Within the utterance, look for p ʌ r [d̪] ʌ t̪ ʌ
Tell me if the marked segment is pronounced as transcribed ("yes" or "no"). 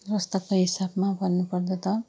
yes